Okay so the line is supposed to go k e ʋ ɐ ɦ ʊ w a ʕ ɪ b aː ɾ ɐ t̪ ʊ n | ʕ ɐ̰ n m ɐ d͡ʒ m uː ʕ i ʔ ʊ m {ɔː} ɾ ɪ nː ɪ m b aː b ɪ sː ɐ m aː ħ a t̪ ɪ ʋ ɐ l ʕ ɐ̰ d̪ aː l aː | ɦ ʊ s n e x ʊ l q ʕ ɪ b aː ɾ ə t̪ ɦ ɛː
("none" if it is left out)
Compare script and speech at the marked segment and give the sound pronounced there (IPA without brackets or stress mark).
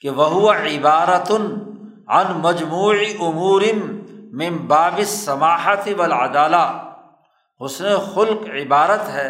uː